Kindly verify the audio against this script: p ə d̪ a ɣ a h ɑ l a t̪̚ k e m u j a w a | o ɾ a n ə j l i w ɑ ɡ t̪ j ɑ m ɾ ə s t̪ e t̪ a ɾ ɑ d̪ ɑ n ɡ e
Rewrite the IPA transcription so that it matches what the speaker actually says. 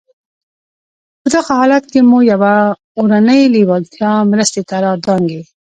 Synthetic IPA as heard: p ə d̪ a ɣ a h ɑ l a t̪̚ k e m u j a w a | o ɾ a n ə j l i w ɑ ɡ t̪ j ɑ m ɾ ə s t̪ e t̪ a ɾ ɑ d̪ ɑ ŋ ɡ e